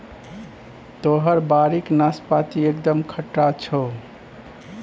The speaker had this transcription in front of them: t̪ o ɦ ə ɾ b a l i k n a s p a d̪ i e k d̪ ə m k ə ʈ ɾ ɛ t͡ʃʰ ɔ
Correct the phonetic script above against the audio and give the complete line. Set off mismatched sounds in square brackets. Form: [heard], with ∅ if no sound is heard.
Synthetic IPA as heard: t̪ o ɦ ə ɾ b a [ɾ] i k n a s p a [t̪] i e k d̪ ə m [kʰ] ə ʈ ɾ [a] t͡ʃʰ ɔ